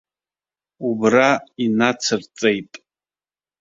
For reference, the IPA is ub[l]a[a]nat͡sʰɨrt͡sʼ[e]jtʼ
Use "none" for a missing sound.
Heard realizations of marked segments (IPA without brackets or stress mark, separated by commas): r, i, e